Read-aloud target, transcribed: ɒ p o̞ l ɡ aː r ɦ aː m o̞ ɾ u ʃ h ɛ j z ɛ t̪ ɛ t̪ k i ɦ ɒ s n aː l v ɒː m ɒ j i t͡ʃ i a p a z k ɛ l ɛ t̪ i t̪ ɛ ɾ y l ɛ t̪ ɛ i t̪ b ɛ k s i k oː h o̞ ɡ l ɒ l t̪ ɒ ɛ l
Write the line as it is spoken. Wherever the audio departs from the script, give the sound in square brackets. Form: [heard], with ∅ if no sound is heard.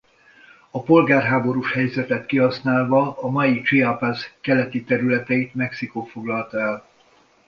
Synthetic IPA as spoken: ɒ p o̞ l ɡ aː r ɦ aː [b] o̞ ɾ u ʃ h ɛ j z ɛ t̪ ɛ t̪ k i ɦ ɒ s n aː l v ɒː m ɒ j i t͡ʃ i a p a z k ɛ l ɛ t̪ i t̪ ɛ ɾ y l ɛ t̪ ɛ i t̪ [m] ɛ k s i k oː [f] o̞ ɡ l ɒ l t̪ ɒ ɛ l

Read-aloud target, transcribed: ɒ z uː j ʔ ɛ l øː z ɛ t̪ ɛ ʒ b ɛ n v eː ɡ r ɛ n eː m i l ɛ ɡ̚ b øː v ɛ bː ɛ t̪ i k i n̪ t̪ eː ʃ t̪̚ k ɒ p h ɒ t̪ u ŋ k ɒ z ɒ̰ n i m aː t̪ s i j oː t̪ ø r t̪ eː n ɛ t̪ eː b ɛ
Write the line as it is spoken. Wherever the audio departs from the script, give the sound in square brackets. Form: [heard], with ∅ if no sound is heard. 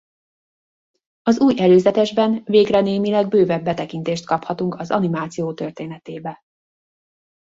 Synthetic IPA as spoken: ɒ z uː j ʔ ɛ l øː z ɛ t̪ ɛ ʒ b ɛ n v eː ɡ r ɛ n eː m i l ɛ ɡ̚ b øː v ɛ bː ɛ t̪ [ɛ] k i n̪ t̪ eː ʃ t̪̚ k ɒ p h ɒ t̪ u ŋ k ɒ z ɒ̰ n i m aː t̪ s i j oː t̪ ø r t̪ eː n ɛ t̪ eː b ɛ

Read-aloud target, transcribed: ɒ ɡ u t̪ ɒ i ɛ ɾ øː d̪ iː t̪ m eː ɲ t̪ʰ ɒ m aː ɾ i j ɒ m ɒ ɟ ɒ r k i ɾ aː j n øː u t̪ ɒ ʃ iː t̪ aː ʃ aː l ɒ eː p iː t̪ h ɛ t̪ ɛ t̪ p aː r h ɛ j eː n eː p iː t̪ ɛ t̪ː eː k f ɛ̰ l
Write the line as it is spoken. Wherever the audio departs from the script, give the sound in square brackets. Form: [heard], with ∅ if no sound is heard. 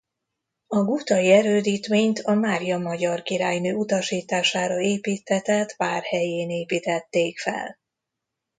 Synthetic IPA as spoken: ɒ ɡ u t̪ ɒ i ɛ ɾ øː d̪ iː t̪ m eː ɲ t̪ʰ ɒ m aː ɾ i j ɒ m ɒ ɟ ɒ r k i ɾ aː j n øː u t̪ ɒ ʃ iː t̪ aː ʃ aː [ɾ] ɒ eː p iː t̪ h ɛ t̪ ɛ t̪ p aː r h ɛ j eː n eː p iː t̪ ɛ t̪ː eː k f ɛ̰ l

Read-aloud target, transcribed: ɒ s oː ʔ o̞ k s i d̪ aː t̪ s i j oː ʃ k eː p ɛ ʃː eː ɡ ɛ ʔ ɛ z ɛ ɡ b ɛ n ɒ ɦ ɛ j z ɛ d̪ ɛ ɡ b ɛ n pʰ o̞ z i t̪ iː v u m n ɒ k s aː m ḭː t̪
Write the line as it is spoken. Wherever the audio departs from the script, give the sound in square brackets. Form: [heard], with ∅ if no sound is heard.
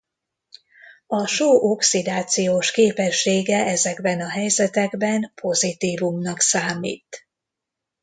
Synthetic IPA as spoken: ɒ [ʃ] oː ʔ o̞ k s i d̪ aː t̪ s i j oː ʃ k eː p ɛ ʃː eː ɡ ɛ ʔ ɛ z ɛ ɡ b ɛ n ɒ ɦ ɛ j z ɛ [t̪] ɛ ɡ b ɛ n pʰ o̞ z i t̪ iː v u m n ɒ k s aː m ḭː t̪

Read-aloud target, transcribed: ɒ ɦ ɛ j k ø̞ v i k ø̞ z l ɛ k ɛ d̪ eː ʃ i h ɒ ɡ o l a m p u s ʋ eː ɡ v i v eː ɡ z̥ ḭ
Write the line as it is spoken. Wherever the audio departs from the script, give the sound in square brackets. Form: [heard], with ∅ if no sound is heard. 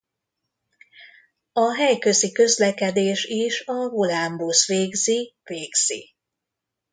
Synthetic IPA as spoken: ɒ ɦ ɛ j k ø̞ [z] i k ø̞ z l ɛ k ɛ d̪ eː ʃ i [ʃ] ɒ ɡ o l a m [b] u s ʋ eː ɡ [z] i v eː ɡ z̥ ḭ

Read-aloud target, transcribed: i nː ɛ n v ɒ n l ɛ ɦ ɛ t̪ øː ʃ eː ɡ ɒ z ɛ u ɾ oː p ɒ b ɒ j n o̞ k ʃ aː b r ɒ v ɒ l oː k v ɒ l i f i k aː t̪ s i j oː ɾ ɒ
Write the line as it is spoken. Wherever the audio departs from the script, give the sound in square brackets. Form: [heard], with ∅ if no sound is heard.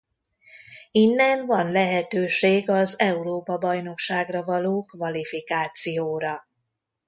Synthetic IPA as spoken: i nː ɛ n v ɒ n l ɛ ɦ ɛ t̪ øː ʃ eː ɡ ɒ z ɛ u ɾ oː p ɒ b ɒ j n o̞ k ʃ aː [ɡ] r ɒ v ɒ l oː k v ɒ l i f i k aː t̪ s i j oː ɾ ɒ

